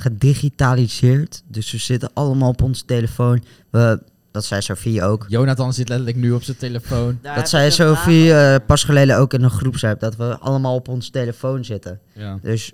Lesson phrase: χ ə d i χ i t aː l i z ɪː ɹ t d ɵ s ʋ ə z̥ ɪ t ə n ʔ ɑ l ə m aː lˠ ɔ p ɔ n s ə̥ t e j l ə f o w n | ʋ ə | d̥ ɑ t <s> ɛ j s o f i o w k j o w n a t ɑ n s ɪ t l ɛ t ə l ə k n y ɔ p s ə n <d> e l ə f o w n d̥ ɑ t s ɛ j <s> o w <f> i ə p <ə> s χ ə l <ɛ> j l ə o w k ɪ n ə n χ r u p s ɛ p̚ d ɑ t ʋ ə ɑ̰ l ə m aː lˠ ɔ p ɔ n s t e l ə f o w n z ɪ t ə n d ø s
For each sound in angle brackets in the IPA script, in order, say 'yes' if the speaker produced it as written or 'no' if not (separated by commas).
yes, no, yes, yes, no, no